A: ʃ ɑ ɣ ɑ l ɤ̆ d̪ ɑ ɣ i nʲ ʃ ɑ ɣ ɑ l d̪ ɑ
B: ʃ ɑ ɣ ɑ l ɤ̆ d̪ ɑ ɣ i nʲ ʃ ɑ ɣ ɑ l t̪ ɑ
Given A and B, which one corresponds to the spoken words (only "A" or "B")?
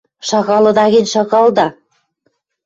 A